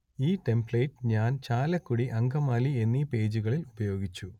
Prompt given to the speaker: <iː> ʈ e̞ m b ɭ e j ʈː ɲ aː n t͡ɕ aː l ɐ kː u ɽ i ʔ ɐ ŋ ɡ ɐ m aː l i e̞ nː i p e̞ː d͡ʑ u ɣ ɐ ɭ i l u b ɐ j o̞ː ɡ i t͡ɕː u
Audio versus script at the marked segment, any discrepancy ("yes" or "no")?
no